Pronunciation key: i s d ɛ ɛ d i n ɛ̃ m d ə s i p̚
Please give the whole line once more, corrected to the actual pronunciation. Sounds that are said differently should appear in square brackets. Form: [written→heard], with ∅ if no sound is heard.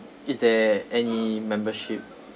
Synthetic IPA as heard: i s d ɛ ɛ [d→n] i [n→m] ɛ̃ m [d→b] ə [s→ʃ] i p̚